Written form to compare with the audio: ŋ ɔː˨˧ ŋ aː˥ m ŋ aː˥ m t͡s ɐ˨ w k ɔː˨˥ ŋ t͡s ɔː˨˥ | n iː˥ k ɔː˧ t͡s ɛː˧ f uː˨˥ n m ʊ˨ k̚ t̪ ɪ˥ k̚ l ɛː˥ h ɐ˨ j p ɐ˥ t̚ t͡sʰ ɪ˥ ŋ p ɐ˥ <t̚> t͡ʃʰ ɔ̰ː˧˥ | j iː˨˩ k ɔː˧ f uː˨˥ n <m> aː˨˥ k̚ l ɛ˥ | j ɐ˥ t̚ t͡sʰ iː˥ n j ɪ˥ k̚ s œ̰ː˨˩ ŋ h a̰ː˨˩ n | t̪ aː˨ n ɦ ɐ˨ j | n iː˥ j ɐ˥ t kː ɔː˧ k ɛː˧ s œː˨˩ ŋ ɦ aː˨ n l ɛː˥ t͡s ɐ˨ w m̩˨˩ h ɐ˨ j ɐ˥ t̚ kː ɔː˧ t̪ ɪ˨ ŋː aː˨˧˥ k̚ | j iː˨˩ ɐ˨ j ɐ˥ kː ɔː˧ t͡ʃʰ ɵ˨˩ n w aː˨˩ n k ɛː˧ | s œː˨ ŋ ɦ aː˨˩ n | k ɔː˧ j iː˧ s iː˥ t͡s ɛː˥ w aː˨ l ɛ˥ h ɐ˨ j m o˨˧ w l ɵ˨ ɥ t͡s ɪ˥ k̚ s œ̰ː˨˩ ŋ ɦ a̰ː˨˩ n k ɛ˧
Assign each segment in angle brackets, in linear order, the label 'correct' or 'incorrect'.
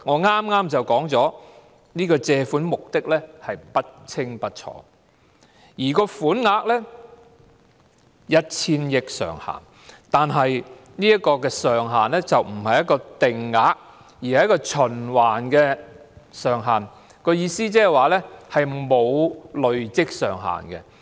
correct, incorrect

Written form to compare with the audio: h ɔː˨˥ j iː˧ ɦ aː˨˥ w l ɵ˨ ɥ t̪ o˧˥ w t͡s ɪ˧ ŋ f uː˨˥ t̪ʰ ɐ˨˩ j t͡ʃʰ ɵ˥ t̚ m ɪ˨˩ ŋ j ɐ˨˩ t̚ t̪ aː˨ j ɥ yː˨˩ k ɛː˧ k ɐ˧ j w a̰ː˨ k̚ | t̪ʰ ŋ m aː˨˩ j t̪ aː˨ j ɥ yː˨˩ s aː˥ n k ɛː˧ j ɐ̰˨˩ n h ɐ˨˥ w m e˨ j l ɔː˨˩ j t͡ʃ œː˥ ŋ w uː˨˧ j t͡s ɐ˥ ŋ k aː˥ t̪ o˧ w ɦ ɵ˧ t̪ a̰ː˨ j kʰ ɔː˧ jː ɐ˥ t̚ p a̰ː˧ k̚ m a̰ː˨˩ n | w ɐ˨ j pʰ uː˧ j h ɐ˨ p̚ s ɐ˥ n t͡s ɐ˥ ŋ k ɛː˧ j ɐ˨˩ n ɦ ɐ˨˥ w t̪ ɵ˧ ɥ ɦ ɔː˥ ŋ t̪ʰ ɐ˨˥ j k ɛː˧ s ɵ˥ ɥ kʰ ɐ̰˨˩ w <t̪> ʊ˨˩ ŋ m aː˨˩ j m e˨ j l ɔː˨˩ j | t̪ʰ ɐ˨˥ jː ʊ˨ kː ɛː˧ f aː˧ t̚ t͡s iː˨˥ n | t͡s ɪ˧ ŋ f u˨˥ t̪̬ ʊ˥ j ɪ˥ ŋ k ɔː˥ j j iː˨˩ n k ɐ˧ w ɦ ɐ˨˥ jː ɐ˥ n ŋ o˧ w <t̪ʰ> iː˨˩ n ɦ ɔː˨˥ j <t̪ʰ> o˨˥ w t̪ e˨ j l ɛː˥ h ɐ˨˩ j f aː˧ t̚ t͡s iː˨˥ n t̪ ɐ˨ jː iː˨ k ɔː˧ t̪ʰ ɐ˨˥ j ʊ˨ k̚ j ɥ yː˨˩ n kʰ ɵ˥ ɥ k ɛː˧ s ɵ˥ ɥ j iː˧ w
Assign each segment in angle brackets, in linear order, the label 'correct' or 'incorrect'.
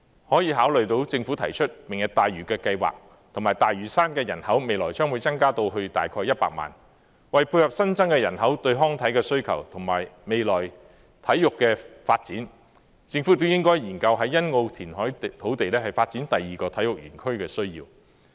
incorrect, correct, correct

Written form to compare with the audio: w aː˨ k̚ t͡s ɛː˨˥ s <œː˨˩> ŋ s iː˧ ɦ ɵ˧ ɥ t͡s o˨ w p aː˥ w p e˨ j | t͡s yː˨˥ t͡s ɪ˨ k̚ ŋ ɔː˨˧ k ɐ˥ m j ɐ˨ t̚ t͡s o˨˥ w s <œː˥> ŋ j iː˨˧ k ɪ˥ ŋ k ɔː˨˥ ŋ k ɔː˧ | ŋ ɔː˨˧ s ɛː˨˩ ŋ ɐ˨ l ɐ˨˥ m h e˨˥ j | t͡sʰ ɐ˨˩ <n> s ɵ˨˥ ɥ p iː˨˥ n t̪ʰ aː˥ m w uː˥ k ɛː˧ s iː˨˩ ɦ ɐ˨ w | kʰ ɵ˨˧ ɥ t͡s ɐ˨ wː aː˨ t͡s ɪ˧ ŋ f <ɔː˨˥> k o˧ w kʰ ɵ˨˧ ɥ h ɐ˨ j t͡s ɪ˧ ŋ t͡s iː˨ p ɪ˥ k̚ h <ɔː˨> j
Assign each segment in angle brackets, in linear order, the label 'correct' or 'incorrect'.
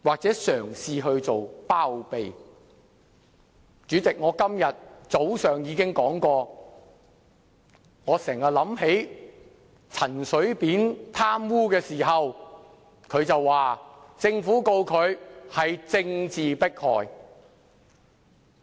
correct, incorrect, correct, incorrect, correct

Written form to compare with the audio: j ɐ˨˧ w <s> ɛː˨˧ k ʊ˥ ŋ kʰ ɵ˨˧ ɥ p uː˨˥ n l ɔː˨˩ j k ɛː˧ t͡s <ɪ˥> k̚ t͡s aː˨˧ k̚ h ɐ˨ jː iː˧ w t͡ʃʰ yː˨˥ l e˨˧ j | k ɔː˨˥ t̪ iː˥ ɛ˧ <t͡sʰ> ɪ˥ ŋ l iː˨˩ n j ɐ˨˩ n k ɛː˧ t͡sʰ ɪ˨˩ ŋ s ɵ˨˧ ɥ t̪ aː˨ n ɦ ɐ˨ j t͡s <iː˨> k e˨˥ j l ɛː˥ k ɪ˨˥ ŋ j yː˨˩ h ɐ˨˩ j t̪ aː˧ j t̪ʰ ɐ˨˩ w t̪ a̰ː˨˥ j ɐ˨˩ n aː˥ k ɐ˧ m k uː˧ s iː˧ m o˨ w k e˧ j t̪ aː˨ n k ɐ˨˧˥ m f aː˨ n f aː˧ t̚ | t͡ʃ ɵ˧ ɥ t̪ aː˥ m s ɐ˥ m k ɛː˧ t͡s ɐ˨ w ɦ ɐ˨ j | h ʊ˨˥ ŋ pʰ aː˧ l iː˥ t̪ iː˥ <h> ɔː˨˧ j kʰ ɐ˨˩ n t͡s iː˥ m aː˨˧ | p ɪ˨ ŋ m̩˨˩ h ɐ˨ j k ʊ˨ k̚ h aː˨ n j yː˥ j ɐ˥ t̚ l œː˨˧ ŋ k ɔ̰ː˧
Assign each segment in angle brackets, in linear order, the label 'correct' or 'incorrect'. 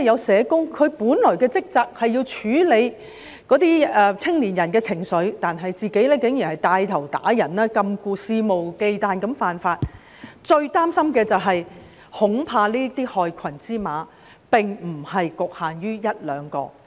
correct, correct, correct, correct, correct

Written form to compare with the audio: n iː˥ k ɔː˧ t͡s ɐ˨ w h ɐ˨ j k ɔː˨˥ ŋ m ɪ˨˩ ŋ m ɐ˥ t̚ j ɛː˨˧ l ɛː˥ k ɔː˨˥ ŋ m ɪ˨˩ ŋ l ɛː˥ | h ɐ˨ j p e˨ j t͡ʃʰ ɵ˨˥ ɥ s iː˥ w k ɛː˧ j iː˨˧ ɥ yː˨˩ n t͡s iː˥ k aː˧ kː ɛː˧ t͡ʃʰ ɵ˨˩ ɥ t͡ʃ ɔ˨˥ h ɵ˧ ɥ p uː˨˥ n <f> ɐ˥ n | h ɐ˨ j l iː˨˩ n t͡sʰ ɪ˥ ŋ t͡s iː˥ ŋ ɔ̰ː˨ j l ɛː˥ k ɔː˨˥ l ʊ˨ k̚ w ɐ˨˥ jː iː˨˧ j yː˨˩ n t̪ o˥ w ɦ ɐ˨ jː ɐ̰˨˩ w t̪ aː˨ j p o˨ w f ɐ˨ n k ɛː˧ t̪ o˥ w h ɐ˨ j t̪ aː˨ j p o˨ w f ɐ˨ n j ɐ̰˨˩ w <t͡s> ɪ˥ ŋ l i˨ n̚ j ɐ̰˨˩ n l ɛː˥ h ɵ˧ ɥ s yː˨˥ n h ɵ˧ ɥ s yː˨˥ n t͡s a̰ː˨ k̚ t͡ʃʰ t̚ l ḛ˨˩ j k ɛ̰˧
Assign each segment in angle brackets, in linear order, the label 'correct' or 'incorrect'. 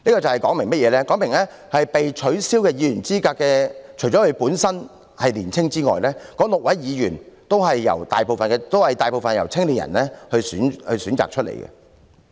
incorrect, incorrect

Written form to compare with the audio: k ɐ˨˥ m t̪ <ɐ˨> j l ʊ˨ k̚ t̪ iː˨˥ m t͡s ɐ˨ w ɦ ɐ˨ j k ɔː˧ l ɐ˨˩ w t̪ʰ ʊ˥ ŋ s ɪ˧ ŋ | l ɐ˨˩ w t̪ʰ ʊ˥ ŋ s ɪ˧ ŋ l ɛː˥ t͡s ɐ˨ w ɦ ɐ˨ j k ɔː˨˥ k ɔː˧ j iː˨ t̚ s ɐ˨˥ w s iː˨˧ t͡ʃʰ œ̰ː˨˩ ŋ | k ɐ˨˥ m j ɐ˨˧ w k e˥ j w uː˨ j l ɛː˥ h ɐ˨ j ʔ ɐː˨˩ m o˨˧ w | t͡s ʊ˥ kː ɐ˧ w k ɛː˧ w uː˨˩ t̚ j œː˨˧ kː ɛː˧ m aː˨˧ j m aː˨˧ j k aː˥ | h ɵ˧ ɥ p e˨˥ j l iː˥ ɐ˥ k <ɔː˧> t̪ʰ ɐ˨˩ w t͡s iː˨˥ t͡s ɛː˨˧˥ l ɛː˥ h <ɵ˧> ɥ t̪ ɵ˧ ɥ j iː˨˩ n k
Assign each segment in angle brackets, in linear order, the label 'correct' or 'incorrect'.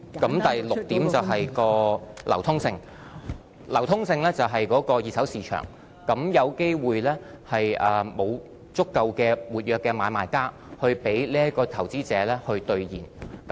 correct, correct, correct

